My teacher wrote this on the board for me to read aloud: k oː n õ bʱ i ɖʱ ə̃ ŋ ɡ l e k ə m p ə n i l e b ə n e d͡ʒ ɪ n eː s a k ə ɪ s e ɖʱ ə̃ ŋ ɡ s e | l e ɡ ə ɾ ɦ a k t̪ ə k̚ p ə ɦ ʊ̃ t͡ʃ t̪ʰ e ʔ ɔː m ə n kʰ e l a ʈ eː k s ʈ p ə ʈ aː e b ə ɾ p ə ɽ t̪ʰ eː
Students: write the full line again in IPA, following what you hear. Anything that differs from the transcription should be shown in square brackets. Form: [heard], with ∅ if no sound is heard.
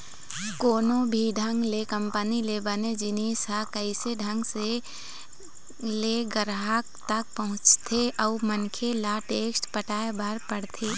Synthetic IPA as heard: k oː n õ bʱ i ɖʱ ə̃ ŋ ɡ l e k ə m p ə n i l e b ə n e d͡ʒ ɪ n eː s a k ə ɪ s e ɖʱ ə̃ ŋ ɡ s e | l e ɡ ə ɾ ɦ a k t̪ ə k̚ p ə ɦ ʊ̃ t͡ʃ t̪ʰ e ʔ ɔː m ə n kʰ e l a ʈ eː k s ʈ p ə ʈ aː e b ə ɾ p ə ɽ t̪ʰ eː